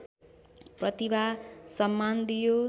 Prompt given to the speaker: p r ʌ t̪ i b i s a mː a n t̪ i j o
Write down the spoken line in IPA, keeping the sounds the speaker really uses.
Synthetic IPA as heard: p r ʌ t̪ i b a s ʌ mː a n d̪ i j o